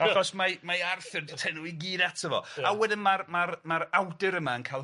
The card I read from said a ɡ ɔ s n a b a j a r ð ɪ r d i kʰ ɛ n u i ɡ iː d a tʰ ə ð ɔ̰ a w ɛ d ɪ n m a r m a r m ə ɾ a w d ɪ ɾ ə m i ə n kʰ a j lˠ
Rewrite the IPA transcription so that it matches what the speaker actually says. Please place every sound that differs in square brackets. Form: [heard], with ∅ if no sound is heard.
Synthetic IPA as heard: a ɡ ɔ s [m] a [m] a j a r [θ] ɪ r d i [tʰ] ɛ n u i ɡ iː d a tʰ ə [v] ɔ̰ a w ɛ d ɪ n m a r m a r m [a] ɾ a w d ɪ ɾ ə m [a] ə n kʰ a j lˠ